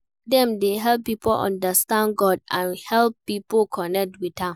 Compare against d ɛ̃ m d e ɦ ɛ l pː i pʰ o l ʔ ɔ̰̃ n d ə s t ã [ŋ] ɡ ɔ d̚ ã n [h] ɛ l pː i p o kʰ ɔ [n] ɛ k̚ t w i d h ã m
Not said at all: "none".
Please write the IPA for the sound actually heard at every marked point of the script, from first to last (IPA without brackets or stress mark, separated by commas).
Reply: n, h, n